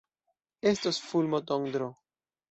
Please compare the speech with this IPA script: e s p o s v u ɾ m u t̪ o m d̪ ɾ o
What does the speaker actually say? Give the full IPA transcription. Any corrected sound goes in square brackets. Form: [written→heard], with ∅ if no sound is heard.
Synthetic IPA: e s [p→t] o s [v→f] u [ɾ→l] m [u→o] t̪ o [m→ŋ] d̪ ɾ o